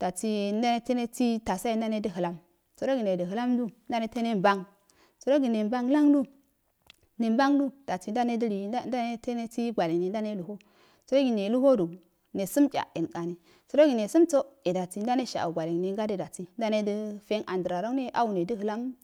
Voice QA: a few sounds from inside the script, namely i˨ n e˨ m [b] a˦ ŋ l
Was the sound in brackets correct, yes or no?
yes